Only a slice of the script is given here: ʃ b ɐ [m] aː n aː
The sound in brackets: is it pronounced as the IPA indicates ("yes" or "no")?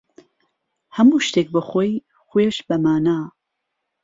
yes